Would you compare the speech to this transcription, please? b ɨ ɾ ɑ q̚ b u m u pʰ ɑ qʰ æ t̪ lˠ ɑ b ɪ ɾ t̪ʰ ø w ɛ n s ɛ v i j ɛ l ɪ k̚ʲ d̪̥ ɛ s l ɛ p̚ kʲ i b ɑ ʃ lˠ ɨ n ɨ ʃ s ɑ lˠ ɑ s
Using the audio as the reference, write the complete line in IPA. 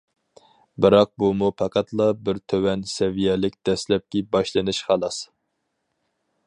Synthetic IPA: b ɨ ɾ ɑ q̚ b u m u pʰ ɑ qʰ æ t̪ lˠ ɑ b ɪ ɾ t̪ʰ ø w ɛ n s ɛ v i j ɛ l ɪ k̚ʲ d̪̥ ɛ s l ɛ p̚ kʲ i b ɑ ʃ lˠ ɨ n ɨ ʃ χ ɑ lˠ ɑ s

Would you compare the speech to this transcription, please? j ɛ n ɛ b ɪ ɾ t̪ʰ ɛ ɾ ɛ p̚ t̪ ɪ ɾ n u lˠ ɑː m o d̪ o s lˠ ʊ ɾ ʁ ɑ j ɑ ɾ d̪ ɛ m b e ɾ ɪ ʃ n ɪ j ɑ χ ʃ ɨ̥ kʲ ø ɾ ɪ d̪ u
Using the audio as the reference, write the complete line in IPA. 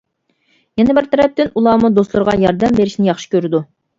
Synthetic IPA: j ɛ n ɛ b ɪ ɾ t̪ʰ ɛ ɾ ɛ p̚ t̪ ɪ n u lˠ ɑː m u d̪ o s lˠ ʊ ɾ ʁ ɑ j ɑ ɾ d̪ ɛ m b e ɾ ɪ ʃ n ɪ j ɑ χ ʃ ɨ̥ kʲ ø ɾ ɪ d̪ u

